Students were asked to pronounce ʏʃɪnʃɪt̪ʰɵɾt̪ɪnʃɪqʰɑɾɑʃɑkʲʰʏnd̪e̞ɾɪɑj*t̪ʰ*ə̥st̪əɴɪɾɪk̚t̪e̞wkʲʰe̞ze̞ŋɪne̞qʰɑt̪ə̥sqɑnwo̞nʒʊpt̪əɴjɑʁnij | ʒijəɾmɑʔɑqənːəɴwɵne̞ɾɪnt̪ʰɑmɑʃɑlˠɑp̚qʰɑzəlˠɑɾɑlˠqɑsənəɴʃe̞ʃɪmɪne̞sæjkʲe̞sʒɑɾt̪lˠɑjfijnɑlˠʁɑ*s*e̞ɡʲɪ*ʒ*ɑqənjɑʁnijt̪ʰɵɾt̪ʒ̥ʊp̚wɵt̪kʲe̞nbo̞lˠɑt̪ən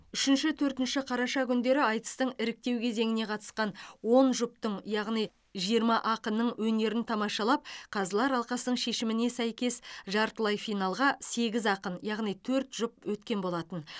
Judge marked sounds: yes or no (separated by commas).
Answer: no, yes, no